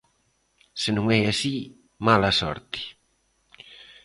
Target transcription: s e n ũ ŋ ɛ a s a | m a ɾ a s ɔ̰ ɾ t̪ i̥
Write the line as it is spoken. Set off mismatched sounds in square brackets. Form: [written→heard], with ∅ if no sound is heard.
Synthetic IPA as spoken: s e n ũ ŋ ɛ a s [a→i] | m a [ɾ→l] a s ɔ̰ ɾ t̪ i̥